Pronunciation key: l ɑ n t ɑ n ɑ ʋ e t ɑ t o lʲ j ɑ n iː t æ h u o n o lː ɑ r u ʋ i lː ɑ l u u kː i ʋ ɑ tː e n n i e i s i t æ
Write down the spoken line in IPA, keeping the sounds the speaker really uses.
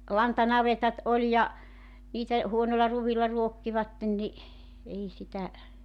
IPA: l ɑ n t ɑ n ɑ ʋ e t ɑ t o lʲ j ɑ n iː t æ h u o n o lː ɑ r u ʋ i lː ɑ r u o kː i ʋ ɑ tː e n n i e i s i t æ